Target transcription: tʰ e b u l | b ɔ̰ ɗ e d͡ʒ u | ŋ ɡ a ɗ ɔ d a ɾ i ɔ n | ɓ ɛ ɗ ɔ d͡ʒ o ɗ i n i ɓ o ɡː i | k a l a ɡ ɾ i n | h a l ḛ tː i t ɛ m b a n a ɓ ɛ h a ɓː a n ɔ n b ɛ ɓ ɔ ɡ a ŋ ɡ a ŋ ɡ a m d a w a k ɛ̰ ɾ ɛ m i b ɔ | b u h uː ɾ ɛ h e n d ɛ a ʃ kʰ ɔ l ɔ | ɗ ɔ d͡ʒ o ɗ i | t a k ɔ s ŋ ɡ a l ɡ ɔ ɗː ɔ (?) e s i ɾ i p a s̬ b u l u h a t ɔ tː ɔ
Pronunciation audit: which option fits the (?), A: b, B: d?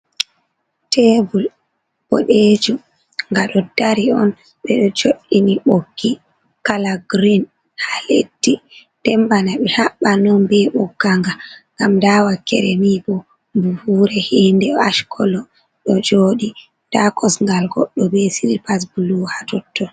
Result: A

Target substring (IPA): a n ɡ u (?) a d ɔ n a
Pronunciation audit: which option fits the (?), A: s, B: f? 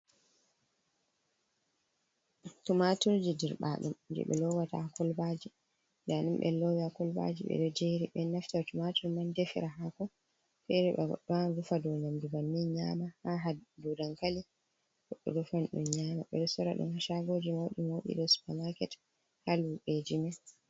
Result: B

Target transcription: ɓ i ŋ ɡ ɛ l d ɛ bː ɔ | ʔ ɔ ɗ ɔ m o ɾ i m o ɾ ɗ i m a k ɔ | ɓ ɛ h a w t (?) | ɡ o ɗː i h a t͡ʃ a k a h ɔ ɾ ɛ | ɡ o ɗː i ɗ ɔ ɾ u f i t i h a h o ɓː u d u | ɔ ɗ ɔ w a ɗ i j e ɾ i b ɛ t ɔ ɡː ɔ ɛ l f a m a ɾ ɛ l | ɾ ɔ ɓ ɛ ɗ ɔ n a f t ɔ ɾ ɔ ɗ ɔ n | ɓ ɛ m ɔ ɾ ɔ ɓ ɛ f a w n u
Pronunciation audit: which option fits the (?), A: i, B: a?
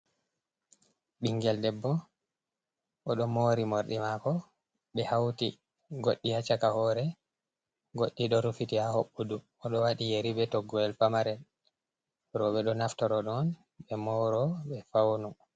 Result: A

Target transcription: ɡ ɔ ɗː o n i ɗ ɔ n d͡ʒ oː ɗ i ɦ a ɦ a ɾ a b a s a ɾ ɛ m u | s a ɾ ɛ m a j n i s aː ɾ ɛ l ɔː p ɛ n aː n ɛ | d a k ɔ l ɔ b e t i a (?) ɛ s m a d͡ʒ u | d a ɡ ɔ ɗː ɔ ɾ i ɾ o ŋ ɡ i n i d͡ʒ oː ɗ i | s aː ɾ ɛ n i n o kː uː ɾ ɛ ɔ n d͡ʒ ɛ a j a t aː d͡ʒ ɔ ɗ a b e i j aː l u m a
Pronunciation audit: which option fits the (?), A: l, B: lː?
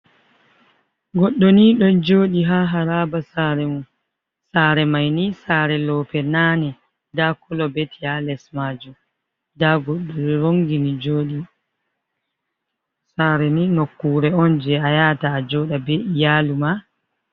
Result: A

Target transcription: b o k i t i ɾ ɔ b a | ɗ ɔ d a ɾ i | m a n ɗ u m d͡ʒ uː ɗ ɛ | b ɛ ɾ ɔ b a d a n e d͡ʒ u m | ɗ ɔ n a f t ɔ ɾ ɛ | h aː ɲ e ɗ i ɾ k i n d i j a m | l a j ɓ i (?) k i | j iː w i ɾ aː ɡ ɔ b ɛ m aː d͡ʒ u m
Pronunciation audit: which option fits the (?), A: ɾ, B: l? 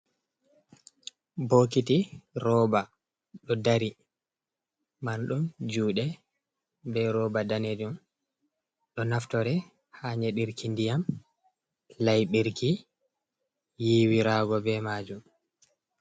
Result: A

